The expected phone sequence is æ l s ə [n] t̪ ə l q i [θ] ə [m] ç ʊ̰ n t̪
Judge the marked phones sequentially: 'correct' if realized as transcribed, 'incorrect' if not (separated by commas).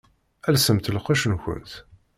incorrect, incorrect, incorrect